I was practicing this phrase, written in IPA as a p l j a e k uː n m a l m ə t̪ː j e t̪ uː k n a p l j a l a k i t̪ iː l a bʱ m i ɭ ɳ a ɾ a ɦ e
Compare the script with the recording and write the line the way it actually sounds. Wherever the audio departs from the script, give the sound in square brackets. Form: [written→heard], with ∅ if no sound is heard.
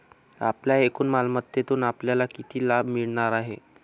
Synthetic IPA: a p l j a e k uː n m a l m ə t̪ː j e t̪ uː [k→∅] n a p l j a l a k i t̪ iː l a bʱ m i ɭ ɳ a ɾ a ɦ e